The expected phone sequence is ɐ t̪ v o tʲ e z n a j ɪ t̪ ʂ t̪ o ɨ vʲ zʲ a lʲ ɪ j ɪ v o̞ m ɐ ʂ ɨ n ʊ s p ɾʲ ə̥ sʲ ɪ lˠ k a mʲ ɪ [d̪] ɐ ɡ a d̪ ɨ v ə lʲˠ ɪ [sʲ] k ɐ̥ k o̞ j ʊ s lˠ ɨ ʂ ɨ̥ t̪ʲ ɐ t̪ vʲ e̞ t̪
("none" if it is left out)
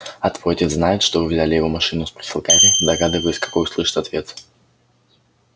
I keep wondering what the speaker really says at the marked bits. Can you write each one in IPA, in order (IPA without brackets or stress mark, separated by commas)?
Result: d̪, sʲ